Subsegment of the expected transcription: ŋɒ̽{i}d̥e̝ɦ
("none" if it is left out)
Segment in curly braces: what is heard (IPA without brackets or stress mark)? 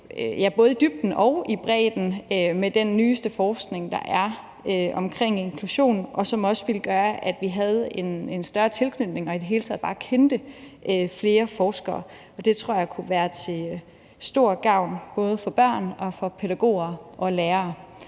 i